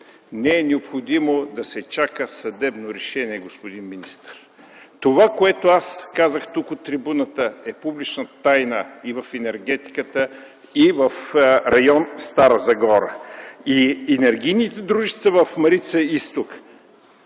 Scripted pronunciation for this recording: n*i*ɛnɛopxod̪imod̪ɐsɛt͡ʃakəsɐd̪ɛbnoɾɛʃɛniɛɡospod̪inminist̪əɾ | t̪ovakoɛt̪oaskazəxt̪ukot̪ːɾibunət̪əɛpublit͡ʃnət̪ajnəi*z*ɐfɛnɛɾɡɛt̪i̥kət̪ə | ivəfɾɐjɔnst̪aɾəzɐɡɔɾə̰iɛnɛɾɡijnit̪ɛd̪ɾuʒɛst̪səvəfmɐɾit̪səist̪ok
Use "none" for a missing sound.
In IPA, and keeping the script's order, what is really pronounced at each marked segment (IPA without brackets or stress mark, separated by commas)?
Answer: ɛ, v